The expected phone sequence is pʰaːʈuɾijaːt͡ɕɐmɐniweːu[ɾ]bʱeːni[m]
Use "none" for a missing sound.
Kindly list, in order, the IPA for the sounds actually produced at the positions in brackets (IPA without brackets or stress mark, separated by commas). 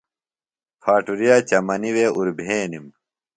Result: ɾ, m